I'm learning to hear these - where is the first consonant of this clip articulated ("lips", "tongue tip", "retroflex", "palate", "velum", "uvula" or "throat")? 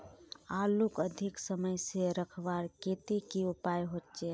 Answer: tongue tip